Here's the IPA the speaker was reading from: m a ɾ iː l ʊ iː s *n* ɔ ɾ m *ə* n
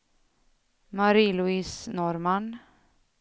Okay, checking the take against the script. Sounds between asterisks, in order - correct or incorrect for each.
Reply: correct, incorrect: a

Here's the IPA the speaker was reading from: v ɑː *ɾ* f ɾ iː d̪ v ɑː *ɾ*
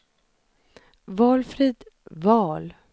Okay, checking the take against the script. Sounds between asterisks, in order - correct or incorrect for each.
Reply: incorrect: l, incorrect: l

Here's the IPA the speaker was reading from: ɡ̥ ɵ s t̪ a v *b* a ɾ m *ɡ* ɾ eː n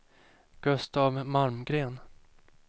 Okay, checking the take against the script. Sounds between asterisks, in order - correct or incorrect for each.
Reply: incorrect: m, correct

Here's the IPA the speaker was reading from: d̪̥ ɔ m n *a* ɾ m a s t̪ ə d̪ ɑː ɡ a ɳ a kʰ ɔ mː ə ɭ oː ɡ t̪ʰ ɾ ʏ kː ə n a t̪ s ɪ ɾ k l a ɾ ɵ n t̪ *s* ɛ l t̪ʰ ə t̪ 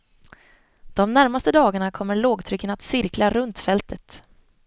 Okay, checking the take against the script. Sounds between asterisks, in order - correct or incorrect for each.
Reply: incorrect: æ, incorrect: f

